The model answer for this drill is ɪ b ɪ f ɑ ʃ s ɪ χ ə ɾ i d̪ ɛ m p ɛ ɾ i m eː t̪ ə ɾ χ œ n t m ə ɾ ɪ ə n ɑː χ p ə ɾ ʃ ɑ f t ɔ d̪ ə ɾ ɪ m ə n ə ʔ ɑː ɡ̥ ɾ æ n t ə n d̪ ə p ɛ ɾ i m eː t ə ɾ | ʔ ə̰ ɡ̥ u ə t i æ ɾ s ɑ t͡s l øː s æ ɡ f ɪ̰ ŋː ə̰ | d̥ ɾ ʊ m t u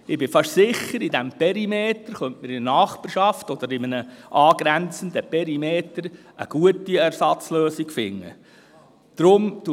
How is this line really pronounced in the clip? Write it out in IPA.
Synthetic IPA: ɪ b ɪ f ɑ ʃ s ɪ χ ə ɾ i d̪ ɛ m p ɛ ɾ i m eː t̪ ə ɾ χ œ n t m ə ɾ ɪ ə n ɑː χ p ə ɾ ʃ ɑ f t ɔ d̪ ə ɾ ɪ m ə n ə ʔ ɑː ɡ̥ ɾ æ n t͡s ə n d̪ ə p ɛ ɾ i m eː t ə ɾ | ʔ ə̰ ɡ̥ u ə t i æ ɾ s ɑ t͡s l øː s i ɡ f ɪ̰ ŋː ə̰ | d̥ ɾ ʊ m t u